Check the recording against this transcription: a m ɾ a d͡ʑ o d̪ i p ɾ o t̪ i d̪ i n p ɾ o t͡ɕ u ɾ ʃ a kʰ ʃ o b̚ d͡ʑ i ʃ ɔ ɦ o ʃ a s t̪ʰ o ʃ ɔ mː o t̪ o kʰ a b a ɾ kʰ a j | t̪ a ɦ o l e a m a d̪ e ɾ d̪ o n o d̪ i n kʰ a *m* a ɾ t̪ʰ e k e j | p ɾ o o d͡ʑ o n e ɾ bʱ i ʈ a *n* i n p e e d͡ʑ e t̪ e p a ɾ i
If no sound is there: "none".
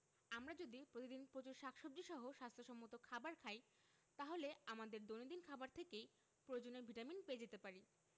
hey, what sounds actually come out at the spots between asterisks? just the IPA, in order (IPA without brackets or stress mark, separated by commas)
b, m